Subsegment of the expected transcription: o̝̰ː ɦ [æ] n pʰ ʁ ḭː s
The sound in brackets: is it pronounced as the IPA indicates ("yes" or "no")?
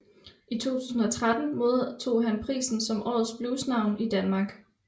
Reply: yes